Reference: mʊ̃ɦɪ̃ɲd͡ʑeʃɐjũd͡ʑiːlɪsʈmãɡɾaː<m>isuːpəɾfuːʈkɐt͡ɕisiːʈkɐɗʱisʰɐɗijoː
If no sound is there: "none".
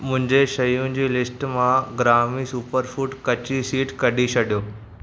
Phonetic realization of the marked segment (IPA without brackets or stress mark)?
m